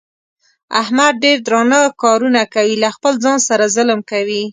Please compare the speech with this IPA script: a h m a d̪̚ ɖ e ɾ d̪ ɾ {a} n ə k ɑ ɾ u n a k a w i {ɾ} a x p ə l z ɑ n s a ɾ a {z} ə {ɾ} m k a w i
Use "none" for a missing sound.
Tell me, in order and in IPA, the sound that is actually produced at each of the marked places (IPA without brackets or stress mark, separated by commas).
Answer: ɑ, l, z, l